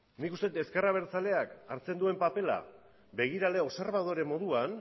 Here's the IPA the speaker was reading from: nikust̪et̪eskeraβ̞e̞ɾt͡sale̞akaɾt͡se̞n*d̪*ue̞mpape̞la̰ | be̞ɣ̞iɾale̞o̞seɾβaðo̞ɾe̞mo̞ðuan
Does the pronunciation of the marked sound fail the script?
no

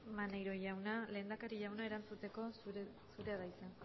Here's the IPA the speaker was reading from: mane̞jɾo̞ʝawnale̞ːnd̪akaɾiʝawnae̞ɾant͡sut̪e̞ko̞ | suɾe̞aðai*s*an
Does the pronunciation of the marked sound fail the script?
no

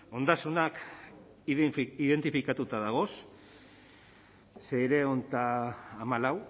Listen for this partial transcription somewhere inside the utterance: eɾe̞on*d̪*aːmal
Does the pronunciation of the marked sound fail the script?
yes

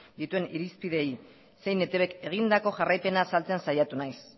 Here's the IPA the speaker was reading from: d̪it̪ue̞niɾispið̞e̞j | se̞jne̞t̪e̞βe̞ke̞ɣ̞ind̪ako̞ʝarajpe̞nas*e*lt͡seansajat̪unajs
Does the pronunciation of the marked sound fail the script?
yes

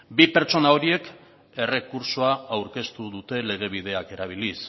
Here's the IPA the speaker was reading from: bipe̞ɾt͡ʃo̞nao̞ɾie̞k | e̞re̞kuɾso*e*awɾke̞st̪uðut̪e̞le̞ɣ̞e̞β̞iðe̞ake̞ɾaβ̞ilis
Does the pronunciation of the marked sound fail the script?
yes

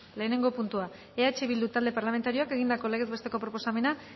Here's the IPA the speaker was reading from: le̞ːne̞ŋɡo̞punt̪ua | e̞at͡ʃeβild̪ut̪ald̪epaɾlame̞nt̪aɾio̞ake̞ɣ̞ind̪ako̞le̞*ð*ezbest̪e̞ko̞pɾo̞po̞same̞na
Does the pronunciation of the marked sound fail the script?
yes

